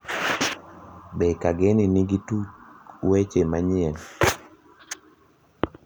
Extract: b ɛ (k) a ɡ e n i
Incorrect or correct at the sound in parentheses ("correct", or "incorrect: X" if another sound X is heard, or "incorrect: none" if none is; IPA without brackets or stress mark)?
correct